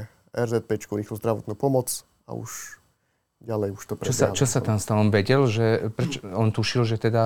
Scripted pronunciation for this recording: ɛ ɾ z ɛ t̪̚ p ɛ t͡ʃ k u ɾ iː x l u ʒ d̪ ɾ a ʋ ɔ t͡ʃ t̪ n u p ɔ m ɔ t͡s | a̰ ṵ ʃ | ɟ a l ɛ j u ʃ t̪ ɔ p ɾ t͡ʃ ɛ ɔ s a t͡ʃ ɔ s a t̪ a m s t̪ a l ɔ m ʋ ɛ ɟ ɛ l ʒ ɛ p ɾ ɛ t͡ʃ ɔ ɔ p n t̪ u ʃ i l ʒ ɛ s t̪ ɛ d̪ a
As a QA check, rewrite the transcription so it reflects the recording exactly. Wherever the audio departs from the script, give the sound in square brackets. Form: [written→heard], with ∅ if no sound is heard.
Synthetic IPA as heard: ɛ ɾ z ɛ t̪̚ p ɛ t͡ʃ k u ɾ iː x l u [ʒ→z] d̪ ɾ a ʋ ɔ [t͡ʃ→∅] t̪ n u p ɔ m ɔ t͡s | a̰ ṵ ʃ | ɟ a l ɛ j u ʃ t̪ ɔ p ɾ t͡ʃ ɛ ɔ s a t͡ʃ ɔ s a t̪ a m s t̪ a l ɔ m ʋ ɛ ɟ ɛ l ʒ ɛ p ɾ ɛ t͡ʃ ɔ ɔ [p→∅] n t̪ u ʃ i l ʒ ɛ [s→∅] t̪ ɛ d̪ a